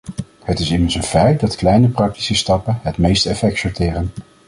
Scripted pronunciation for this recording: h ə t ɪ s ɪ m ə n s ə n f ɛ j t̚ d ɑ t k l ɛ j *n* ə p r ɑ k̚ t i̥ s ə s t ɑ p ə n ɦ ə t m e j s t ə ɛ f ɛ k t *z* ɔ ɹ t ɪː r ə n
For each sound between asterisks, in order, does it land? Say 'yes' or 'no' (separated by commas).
yes, no